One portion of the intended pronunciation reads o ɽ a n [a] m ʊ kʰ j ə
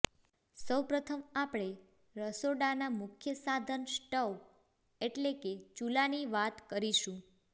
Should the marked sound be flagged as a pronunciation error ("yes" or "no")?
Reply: no